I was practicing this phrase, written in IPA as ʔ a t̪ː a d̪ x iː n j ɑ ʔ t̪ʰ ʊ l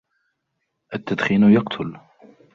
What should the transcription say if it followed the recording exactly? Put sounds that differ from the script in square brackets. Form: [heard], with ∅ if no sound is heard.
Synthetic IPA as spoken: ʔ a t̪ː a d̪ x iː n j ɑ [q] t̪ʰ ʊ l